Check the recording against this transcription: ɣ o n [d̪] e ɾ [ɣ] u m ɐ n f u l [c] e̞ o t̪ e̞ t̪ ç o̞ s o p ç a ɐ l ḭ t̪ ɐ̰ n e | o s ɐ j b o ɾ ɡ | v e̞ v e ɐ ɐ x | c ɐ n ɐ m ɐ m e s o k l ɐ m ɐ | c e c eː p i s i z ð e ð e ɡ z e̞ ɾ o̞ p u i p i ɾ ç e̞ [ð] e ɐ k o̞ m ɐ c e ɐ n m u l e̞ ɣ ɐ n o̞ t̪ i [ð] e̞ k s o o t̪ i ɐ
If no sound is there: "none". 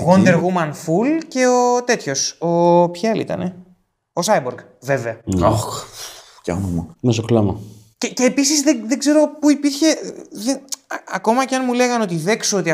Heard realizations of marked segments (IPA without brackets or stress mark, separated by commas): d̪, ɣ, c, ð, ð